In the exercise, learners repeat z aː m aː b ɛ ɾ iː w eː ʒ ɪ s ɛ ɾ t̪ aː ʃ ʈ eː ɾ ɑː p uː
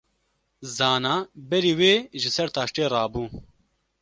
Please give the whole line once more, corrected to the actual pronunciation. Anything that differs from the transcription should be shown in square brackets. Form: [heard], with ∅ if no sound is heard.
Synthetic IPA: z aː [n] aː b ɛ ɾ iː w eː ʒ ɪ s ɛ ɾ t̪ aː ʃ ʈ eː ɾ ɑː [b] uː